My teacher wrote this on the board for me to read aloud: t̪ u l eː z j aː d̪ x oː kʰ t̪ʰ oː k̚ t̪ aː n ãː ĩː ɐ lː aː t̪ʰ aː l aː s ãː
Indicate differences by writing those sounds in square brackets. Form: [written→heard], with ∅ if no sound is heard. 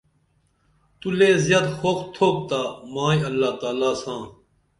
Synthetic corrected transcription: t̪ u l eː z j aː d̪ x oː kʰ t̪ʰ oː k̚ t̪ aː [n→m] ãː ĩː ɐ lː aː [t̪ʰ→t̪] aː l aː s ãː